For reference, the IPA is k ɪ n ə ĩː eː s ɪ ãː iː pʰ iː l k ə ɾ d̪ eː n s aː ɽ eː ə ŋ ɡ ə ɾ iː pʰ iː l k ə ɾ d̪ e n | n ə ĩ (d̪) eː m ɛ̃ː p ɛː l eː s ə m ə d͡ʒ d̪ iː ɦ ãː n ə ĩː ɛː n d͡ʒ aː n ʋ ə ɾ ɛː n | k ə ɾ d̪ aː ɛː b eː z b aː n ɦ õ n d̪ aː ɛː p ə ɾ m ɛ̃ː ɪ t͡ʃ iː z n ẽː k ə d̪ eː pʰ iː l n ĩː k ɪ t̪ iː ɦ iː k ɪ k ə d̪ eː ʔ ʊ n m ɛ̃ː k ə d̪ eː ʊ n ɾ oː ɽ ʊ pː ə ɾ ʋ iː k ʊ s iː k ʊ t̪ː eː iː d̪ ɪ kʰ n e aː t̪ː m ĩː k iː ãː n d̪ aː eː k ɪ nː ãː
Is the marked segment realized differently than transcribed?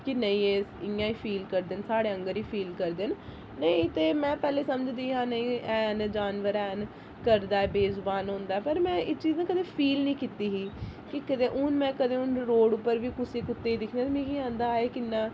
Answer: yes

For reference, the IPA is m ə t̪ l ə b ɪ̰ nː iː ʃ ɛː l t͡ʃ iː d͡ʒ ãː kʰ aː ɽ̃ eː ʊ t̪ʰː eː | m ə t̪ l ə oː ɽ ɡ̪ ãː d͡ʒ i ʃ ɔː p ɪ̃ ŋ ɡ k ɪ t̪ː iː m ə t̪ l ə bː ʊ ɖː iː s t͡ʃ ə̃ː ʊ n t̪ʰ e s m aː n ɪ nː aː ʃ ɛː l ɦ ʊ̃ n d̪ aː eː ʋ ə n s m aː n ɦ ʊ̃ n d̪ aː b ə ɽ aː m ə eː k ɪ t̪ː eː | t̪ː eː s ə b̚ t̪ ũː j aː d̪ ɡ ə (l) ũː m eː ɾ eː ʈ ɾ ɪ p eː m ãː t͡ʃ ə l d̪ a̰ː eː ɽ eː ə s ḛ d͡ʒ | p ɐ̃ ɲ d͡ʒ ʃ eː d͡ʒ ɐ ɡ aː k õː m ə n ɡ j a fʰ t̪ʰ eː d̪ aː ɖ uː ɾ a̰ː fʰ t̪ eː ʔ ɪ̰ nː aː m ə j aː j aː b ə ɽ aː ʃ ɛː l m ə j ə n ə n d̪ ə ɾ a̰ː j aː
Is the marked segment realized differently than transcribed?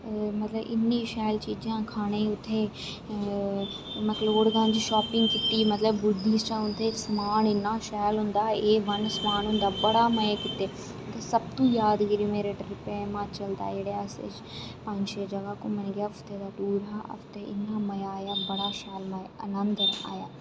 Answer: yes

